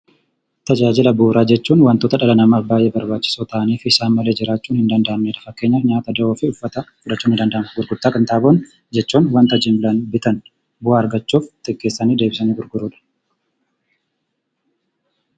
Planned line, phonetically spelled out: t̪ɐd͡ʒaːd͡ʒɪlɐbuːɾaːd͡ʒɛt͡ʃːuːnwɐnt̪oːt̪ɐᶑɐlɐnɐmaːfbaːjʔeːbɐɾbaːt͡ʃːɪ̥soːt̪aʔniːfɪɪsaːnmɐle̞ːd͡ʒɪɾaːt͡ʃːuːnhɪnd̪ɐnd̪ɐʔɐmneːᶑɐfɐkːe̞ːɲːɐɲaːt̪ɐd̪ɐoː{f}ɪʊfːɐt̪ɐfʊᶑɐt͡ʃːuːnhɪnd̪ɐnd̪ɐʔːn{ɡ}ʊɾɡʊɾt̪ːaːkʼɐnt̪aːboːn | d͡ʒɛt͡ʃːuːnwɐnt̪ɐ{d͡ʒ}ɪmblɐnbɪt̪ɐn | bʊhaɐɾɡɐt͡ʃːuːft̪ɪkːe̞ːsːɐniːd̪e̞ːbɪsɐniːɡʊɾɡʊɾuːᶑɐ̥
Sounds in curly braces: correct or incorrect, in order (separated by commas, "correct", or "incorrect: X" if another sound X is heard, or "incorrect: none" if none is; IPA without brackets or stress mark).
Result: correct, correct, correct